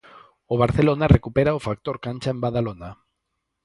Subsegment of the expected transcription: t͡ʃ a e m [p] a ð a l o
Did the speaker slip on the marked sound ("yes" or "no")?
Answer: yes